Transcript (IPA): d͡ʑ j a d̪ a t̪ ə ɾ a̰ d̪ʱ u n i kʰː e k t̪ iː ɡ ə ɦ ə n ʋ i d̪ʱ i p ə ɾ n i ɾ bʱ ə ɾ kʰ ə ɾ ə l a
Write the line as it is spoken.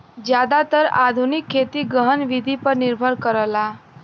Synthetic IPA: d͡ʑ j a d̪ a t̪ ə ɾ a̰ d̪ʱ u n i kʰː e t̪ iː ɡ ə ɦ ə n ʋ i d̪ʱ i p ə ɾ n i ɾ bʱ ə ɾ k ə ɾ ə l a

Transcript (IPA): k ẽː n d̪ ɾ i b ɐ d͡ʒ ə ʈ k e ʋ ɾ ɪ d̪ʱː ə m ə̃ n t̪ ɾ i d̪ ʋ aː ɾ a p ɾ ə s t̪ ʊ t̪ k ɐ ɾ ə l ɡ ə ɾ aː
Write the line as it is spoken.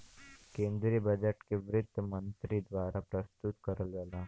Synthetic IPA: k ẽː n d̪ ɾ i b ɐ d͡ʒ ə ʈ k e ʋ ɾ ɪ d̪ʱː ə m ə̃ n t̪ ɾ i d̪ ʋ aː ɾ a p ɾ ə s t̪ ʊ t̪ k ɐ ɾ ə l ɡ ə l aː

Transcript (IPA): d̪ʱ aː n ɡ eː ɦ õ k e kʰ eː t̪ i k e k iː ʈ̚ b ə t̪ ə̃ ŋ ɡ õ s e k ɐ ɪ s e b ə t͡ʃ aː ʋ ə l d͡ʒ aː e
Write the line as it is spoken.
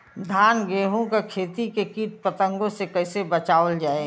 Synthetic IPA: d̪ʱ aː n ɡ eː ɦ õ k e kʰ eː t̪ i k e k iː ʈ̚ p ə t̪ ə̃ ŋ ɡ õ s e k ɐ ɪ s e b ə t͡ʃ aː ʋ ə l d͡ʒ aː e

